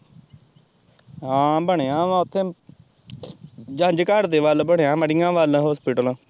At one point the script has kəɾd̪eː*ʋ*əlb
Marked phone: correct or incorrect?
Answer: correct